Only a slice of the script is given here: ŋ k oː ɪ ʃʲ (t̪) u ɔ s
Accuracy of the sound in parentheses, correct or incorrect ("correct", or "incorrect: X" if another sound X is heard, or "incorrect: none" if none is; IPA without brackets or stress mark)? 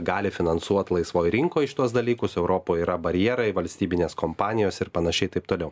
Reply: correct